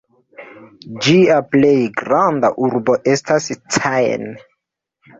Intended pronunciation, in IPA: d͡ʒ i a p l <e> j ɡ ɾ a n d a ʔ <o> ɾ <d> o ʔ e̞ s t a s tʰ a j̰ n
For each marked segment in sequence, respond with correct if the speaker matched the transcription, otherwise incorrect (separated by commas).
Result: correct, incorrect, incorrect